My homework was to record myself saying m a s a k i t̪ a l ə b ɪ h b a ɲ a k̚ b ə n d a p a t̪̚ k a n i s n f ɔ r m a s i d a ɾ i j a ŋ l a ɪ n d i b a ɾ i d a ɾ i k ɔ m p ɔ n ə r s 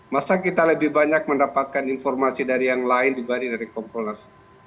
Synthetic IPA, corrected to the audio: m a s a k i t̪ a l ə b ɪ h b a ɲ a k̚ m ə n d a p a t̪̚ k a n i n f ɔ r m a s i d a ɾ i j a ŋ l a ɪ n d i b a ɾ i d a ɾ i k ɔ m p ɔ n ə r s